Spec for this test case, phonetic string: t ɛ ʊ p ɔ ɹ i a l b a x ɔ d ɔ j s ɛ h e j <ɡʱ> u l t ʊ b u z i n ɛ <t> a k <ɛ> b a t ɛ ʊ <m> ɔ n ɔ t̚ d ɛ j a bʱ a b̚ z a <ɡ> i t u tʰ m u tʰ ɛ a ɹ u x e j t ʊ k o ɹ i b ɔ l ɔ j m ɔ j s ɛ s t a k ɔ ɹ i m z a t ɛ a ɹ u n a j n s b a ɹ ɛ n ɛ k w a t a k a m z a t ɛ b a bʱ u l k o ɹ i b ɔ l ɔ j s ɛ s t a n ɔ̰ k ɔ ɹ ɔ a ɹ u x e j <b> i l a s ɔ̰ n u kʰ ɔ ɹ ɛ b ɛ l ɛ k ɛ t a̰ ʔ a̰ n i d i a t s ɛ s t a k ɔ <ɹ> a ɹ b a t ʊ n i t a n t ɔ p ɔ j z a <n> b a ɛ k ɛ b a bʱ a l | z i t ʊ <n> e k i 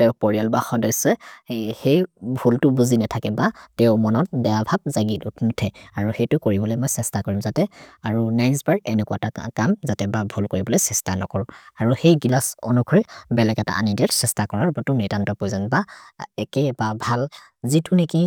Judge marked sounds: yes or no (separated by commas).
no, no, yes, yes, yes, no, yes, yes, yes